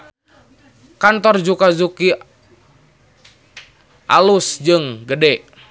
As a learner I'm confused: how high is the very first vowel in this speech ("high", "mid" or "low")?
low